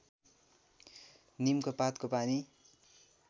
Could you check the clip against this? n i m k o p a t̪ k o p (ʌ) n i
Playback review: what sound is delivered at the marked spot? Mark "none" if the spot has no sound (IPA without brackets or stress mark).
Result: a